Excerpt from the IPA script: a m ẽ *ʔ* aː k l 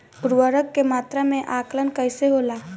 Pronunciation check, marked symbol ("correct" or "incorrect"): correct